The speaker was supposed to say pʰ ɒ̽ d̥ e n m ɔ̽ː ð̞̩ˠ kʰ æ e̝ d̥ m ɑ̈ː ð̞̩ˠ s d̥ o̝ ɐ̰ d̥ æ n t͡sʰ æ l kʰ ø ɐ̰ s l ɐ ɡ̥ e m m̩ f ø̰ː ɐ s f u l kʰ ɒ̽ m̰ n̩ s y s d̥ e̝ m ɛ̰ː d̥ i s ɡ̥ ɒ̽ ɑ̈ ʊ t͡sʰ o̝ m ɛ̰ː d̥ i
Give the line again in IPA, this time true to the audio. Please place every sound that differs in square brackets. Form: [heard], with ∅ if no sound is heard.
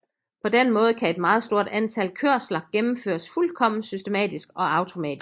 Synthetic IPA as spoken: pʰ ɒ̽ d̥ e n m ɔ̽ː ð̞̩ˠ kʰ æ e̝ d̥ m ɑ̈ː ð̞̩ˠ s d̥ o̝ ɐ̰ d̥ æ n t͡sʰ æ l kʰ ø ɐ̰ s l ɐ ɡ̥ e m m̩ f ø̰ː ɐ s f u l kʰ ɒ̽ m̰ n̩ s y s d̥ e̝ m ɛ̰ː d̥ i s ɡ̥ ɒ̽ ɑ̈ ʊ t͡sʰ o̝ m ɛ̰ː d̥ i